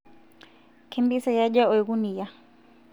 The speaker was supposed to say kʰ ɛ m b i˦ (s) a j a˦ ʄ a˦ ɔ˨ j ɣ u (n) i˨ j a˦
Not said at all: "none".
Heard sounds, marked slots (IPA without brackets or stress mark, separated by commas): s, n